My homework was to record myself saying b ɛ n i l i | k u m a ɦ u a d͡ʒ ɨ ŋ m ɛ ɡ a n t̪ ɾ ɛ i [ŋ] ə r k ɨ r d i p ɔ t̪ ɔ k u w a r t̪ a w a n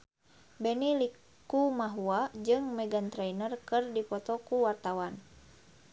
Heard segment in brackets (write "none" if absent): n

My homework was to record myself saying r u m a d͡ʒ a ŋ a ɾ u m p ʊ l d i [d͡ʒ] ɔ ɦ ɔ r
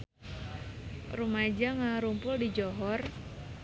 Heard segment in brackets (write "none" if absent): d͡ʒ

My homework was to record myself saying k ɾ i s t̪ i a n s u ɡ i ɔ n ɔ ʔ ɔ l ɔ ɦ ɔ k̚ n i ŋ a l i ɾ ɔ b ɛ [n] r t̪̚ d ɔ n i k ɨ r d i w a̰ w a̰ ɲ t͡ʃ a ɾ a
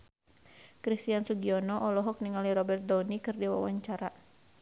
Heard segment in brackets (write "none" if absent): none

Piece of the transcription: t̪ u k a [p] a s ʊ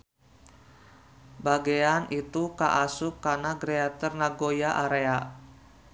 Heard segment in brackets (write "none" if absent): ʔ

